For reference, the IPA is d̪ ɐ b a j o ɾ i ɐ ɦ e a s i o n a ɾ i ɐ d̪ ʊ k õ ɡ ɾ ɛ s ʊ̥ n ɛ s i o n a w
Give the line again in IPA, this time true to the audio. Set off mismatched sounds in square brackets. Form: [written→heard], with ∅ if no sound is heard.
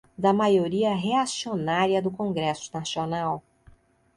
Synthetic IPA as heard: d̪ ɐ [b→m] a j o ɾ i ɐ ɦ e a s i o n a ɾ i ɐ d̪ ʊ k õ ɡ ɾ ɛ s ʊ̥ n [ɛ→a] s i o n a w